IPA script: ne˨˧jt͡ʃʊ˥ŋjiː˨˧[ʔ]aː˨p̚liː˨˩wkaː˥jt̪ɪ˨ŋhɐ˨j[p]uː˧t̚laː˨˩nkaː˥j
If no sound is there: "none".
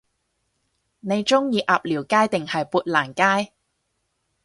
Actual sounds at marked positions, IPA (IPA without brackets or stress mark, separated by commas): ʔ, p